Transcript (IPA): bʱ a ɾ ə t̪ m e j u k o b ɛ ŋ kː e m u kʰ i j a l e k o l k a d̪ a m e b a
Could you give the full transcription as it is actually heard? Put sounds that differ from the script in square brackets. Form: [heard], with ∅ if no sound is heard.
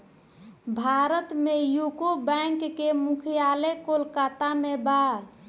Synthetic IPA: bʱ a ɾ ə t̪ m e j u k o b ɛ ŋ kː e m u kʰ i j a l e k o l k a [t̪] a m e b a